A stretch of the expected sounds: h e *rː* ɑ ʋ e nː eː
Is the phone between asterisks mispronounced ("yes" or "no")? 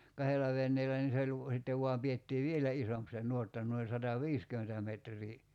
yes